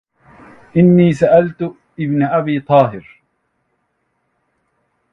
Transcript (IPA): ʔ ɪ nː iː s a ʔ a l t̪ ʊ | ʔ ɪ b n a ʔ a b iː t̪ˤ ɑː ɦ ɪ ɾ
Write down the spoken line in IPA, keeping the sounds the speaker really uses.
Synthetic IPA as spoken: ʔ ɪ nː iː s a ʔ a l t̪ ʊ | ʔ ɪ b n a ʔ a b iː t̪ˤ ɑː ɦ ɪ ɾ

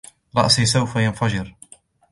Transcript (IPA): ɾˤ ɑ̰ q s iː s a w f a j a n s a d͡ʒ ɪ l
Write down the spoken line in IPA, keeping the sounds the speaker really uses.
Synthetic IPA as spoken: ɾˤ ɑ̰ ʔ s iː s a w f a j a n f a d͡ʒ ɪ ɾ

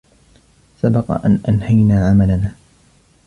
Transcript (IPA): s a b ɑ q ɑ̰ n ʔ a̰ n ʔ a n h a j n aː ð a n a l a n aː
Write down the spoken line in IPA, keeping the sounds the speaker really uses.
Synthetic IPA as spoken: s a b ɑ q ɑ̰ ʔ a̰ n ʔ a n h a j n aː ʕ a m a l a n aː

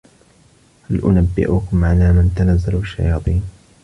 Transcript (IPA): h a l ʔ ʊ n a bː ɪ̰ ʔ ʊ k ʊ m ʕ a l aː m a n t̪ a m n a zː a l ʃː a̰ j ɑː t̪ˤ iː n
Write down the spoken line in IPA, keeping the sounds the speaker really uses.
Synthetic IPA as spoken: h a l ʔ ʊ n a bː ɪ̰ ʔ ʊ k ʊ m ʕ a l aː m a n t̪ a n a zː a l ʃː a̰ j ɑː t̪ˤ iː n

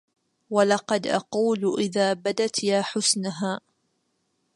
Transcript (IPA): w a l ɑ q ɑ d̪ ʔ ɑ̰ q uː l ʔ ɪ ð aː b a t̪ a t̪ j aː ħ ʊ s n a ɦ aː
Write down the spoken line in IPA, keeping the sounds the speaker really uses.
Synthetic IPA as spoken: w a l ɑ q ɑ d̪ ʔ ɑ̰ q uː l ʔ ɪ ð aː b a d̪ a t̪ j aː ħ ʊ s n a ɦ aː

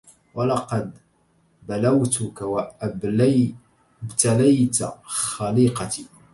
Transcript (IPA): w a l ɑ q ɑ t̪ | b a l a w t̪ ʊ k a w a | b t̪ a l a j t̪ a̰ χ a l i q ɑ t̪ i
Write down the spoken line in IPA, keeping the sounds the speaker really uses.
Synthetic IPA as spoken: w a l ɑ q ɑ d̪ | b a l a w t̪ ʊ k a w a | b t̪ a l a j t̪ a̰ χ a l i q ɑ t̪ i

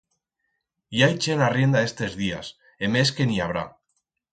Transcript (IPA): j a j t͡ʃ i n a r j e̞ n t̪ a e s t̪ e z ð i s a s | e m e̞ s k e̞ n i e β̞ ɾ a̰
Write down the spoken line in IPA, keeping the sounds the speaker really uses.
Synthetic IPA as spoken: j a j t͡ʃ e n a r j e̞ n d̪ a e s t̪ e z ð i a s | e m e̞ s k e̞ n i a β̞ ɾ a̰

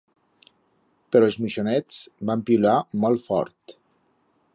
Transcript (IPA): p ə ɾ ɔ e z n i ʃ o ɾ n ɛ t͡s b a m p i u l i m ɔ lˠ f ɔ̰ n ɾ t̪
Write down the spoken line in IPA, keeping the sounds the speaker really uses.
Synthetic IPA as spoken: p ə ɾ ɔ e z m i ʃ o n ɛ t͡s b a m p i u l a m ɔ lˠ f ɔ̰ ɾ t̪

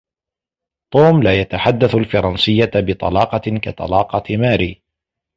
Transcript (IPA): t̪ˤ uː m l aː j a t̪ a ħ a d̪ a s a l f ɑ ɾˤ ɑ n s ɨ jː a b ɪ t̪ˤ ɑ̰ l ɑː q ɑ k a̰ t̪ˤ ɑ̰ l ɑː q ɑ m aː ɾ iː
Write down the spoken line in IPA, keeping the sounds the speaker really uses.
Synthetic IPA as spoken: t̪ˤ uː m l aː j a t̪ a ħ a d̪ː a θ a l f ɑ ɾˤ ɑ n s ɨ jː a b ɪ t̪ˤ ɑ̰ l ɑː q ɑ k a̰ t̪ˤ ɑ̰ l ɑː q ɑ m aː ɾ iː

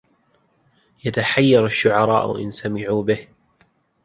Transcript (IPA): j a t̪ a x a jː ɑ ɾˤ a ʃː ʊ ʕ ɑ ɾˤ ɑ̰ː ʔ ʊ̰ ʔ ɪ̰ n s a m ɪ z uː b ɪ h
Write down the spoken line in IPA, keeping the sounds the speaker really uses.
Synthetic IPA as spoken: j a t̪ a ħ a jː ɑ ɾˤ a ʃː ʊ ʕ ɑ ɾˤ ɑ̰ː ʔ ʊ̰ ʔ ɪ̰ n s a m ɪ ʕ uː b ɪ h

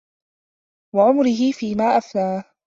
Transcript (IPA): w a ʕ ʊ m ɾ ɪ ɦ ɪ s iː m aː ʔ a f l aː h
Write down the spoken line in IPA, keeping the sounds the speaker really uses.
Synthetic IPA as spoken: w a ʕ ʊ m ɾ ɪ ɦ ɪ f iː m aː ʔ a f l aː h

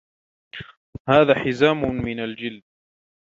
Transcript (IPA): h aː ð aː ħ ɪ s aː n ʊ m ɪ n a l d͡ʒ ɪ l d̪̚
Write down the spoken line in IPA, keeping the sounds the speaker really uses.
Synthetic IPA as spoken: h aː ð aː ħ ɪ z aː m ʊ m ɪ n a l d͡ʒ ɪ l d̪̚

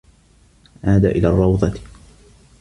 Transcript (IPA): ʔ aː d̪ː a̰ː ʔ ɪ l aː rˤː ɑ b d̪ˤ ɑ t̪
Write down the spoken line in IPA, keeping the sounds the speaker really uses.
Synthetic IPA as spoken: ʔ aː d̪ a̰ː ʔ ɪ l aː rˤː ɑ w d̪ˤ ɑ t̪

